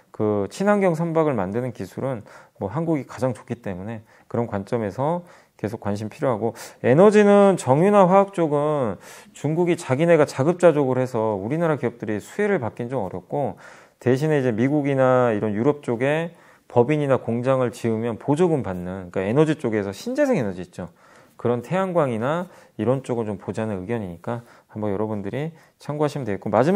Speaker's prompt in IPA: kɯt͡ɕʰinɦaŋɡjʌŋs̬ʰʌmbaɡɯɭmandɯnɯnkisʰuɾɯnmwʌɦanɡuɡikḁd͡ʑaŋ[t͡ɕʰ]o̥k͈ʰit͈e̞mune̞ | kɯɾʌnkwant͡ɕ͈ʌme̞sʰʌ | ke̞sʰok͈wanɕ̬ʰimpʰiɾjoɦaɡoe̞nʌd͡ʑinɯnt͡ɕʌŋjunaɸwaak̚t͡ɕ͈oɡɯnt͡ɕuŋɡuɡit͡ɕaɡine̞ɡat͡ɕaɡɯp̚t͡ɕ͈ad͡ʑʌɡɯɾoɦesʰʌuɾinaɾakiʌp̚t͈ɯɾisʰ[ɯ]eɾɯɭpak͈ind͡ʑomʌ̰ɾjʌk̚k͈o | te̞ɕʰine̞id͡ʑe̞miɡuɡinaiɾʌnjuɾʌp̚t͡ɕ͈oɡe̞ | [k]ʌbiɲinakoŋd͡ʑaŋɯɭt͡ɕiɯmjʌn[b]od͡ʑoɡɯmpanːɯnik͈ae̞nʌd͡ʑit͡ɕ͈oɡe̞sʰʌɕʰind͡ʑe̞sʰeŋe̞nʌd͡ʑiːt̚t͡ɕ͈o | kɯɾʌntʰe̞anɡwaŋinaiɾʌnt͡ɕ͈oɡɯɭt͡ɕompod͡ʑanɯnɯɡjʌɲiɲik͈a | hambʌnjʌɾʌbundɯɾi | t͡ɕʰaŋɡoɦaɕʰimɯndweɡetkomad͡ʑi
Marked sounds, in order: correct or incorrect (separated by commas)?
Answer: incorrect, incorrect, incorrect, incorrect